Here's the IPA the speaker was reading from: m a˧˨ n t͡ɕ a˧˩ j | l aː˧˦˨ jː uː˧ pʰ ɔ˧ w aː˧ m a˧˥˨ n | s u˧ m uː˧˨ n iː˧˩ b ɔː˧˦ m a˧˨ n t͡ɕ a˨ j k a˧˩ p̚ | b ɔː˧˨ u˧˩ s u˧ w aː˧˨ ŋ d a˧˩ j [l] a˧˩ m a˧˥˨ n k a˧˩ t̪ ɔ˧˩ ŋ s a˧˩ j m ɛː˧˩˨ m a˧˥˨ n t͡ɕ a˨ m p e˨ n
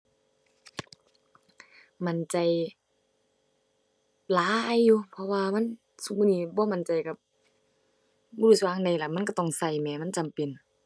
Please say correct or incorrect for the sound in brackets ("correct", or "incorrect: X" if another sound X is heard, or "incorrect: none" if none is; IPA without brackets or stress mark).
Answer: correct